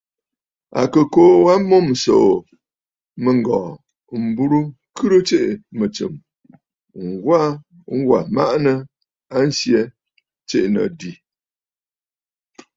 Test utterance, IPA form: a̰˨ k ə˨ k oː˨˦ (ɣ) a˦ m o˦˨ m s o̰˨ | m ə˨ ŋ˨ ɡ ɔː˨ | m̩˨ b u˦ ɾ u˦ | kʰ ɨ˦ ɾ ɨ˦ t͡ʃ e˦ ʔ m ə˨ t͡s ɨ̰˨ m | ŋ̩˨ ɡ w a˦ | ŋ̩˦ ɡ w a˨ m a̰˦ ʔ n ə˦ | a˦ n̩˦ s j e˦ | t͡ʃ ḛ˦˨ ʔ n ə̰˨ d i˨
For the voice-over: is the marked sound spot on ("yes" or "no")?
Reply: no